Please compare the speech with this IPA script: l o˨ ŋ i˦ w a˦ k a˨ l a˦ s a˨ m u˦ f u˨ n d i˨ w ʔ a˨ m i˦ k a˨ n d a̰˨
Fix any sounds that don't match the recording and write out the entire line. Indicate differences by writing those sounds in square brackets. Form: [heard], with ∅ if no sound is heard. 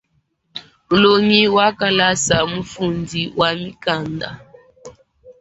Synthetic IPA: l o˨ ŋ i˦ w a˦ k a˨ l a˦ s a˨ m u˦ f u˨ n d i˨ w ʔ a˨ m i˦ k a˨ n d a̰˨

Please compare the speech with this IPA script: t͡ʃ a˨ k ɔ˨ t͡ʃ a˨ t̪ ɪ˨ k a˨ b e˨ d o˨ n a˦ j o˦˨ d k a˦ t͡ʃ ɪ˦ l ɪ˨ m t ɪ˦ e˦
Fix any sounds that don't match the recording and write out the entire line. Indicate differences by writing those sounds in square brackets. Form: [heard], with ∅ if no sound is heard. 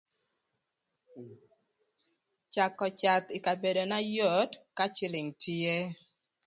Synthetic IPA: t͡ʃ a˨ k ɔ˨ t͡ʃ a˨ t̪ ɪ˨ k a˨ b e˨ d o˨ n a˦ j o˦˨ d k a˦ t͡ʃ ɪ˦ l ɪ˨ [ŋ] t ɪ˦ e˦

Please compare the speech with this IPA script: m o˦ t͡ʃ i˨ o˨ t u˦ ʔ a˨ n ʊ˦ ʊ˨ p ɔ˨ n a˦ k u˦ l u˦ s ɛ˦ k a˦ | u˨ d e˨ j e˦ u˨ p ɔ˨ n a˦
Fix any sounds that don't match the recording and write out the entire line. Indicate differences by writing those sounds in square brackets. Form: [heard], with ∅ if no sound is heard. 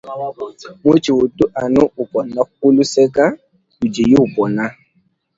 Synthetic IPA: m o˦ t͡ʃ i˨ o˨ t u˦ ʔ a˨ n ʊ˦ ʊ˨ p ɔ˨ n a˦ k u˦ l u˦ s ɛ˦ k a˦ | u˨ [d͡ʒ] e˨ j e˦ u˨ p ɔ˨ n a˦

